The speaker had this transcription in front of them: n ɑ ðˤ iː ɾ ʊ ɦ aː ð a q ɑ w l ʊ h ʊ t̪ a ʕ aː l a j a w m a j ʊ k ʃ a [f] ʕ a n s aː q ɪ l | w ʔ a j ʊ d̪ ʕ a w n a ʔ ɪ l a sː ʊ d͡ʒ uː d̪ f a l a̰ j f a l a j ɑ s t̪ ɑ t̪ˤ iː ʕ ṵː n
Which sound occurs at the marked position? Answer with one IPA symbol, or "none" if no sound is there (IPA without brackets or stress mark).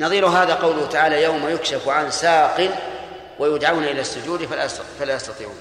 f